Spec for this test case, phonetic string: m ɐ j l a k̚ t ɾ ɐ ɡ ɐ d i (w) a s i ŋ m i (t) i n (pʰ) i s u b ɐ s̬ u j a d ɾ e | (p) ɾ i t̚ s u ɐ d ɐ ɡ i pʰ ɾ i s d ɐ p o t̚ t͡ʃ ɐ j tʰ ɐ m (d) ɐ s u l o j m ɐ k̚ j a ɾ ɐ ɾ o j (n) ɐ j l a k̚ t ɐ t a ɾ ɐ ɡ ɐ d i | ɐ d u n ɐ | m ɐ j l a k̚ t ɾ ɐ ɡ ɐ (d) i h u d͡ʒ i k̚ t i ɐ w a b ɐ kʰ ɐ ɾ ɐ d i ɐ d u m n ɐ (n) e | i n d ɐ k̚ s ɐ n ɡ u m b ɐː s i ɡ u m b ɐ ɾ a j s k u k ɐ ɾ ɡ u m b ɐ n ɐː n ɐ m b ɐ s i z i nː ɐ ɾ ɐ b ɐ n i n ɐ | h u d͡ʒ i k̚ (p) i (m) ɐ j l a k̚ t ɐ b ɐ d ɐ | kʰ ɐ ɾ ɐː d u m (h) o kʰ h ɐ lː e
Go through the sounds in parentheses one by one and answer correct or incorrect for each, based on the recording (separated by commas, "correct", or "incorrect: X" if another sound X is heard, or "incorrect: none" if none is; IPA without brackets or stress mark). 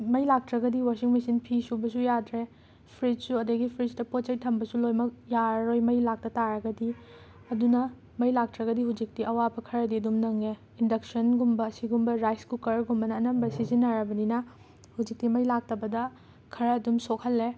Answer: correct, incorrect: s, correct, incorrect: pʰ, incorrect: b, incorrect: m, correct, incorrect: ŋ, incorrect: t, correct, incorrect: s